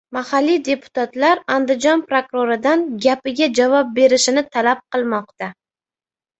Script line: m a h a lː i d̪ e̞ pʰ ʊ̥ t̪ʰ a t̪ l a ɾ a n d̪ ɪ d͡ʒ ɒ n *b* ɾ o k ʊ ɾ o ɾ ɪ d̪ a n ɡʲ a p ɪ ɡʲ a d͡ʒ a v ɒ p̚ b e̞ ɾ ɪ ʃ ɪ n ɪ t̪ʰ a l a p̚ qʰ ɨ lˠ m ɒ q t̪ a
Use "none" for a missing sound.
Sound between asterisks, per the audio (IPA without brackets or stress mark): p